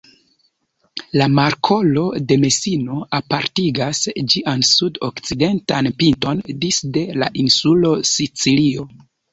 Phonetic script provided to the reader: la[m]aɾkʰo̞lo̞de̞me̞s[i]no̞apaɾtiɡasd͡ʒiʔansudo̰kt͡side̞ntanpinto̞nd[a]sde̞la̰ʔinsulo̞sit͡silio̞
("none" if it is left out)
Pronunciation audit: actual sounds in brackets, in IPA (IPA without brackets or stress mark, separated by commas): m, i, i